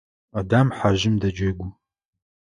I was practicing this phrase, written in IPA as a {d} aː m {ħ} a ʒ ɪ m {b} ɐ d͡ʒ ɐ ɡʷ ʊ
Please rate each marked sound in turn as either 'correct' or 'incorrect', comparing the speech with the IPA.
correct, correct, incorrect

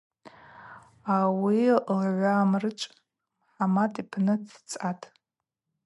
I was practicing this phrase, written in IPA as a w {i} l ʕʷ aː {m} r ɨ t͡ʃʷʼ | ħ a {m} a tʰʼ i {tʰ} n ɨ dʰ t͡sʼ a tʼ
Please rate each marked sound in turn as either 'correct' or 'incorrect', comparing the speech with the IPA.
correct, correct, correct, incorrect

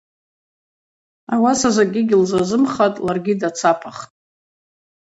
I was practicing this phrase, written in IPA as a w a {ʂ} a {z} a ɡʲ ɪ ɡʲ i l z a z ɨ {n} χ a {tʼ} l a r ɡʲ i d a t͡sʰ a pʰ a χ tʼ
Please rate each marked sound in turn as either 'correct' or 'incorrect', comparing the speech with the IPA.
incorrect, correct, incorrect, correct

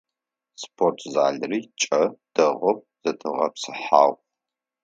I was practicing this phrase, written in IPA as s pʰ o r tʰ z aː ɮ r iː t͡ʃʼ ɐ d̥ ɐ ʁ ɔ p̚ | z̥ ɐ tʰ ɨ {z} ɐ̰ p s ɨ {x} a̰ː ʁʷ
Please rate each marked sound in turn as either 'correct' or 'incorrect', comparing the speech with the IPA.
incorrect, incorrect

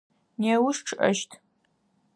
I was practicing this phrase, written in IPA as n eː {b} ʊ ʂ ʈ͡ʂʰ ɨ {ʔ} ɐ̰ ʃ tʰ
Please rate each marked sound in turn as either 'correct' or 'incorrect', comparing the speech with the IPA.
incorrect, correct

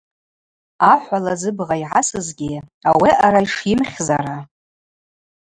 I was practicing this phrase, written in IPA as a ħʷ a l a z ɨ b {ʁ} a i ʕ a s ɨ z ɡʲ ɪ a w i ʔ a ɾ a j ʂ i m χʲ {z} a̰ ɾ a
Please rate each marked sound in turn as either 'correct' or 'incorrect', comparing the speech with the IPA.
correct, correct

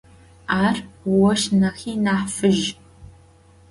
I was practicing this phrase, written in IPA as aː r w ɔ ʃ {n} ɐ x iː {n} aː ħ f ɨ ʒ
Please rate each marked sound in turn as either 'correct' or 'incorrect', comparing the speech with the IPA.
correct, correct

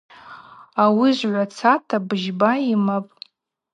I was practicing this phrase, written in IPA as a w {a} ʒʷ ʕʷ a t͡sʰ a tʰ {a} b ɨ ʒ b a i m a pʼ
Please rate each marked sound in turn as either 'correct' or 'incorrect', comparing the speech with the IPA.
incorrect, correct

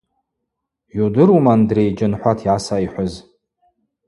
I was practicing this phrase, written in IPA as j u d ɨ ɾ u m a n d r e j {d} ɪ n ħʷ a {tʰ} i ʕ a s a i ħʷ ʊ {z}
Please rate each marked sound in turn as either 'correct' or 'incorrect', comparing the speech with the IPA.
incorrect, correct, correct

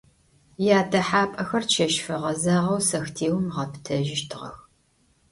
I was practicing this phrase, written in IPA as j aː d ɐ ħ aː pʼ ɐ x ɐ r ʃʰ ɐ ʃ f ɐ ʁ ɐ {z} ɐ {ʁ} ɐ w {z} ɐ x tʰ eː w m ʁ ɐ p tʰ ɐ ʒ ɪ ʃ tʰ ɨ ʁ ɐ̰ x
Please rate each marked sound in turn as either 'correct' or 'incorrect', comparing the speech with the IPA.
correct, correct, incorrect

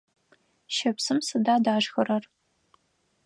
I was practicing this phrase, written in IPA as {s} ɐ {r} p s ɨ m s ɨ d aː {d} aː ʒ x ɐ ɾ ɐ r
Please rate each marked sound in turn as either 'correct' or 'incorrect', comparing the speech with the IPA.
incorrect, incorrect, correct

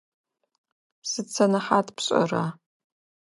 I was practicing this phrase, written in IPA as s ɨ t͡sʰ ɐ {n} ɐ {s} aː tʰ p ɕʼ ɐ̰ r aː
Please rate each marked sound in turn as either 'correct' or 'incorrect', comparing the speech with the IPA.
correct, incorrect

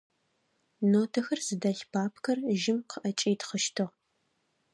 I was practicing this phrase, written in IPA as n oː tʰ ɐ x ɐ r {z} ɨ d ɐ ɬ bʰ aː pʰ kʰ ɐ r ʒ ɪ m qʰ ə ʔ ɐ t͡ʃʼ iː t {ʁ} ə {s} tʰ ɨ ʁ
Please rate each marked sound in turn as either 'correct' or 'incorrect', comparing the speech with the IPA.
correct, incorrect, incorrect

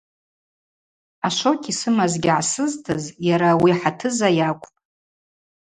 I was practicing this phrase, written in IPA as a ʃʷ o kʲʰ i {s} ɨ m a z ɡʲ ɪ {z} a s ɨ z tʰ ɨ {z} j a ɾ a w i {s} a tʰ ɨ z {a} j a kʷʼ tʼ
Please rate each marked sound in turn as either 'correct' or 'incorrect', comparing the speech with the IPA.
correct, incorrect, correct, incorrect, correct

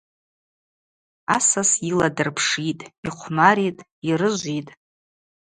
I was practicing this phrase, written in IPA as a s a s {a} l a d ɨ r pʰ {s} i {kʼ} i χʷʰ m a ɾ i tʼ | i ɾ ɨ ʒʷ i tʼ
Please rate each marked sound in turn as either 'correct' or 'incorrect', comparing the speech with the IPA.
incorrect, incorrect, incorrect

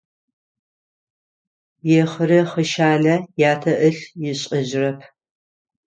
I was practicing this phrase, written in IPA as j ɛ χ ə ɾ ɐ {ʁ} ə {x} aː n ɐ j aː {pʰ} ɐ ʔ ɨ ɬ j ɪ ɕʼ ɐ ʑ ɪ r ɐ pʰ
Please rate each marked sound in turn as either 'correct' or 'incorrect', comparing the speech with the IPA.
incorrect, incorrect, incorrect

